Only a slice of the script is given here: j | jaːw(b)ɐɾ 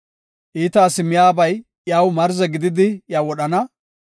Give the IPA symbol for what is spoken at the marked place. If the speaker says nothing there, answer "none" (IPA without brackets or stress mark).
m